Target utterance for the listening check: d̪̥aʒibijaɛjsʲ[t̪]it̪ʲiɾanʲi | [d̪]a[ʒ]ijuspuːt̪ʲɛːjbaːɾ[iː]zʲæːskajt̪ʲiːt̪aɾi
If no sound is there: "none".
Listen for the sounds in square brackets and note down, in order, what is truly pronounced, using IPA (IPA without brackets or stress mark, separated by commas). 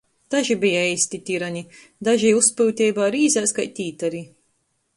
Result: t̪, d̪, ʒ, iː